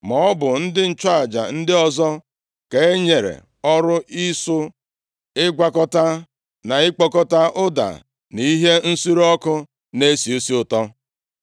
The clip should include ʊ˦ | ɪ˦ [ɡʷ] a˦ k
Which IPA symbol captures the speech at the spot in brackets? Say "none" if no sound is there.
ɡʷ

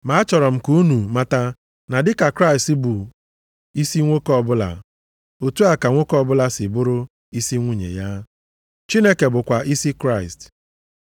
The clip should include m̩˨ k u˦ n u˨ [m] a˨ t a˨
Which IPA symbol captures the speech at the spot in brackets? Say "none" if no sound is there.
m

